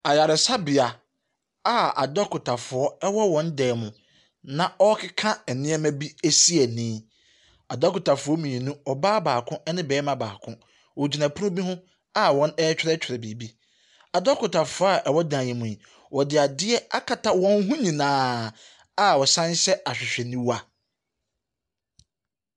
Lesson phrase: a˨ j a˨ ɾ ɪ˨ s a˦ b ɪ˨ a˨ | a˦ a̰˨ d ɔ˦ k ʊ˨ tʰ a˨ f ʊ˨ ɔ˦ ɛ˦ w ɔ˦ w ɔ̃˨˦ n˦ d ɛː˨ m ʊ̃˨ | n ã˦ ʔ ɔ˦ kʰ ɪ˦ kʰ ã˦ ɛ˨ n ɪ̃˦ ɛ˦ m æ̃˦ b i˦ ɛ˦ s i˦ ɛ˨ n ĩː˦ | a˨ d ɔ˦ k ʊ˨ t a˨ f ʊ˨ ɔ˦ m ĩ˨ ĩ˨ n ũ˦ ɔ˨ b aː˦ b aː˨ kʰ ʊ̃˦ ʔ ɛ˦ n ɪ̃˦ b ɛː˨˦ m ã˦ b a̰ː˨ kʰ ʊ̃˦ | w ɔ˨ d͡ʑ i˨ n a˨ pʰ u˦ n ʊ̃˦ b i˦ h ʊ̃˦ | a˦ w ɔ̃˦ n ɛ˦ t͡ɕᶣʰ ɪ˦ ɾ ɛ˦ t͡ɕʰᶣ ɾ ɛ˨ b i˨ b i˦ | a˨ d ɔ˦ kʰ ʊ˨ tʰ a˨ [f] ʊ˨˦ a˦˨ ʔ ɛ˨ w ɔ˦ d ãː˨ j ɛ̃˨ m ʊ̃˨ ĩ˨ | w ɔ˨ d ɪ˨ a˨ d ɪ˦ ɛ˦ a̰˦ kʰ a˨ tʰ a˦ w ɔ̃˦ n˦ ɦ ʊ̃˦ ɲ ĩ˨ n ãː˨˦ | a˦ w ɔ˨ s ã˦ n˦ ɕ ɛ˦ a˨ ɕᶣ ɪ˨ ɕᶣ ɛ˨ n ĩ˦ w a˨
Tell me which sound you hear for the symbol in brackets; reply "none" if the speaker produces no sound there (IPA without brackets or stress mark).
f